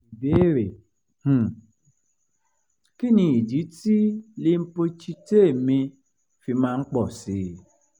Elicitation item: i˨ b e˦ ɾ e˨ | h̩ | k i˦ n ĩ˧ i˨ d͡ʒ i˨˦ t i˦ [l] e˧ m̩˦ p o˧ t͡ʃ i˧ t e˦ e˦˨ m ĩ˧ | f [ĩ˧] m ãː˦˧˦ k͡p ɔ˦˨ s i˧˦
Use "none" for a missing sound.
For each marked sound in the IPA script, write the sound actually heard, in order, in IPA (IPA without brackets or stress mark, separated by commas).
l, i˧